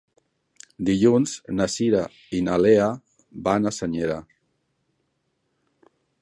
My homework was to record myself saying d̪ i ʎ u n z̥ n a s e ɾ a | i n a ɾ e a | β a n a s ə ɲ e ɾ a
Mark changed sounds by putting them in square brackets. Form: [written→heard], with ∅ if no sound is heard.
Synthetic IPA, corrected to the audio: d̪ i ʎ u n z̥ n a s [e→i] ɾ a | i n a [ɾ→l] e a | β a n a s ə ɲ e ɾ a